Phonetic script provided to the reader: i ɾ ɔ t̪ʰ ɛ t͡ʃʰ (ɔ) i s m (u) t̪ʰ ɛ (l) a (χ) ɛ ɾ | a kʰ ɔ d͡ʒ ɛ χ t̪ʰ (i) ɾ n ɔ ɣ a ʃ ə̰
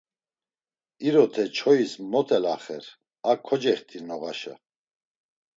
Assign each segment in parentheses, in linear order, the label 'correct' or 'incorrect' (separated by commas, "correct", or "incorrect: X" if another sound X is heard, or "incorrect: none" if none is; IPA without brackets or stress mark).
correct, incorrect: ɔ, correct, correct, correct